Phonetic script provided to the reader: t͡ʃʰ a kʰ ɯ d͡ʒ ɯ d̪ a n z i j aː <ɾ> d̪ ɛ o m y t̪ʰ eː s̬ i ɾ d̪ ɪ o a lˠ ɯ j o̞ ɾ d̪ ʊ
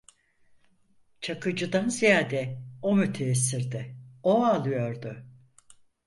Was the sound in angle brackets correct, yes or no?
no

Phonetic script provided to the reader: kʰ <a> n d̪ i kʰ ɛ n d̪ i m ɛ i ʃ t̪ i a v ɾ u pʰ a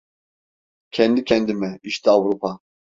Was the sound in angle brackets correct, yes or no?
no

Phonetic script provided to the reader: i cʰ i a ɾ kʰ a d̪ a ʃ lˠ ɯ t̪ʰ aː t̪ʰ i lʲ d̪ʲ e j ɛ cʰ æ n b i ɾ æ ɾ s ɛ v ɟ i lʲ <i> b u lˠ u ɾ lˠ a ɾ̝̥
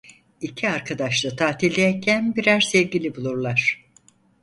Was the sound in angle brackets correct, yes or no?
yes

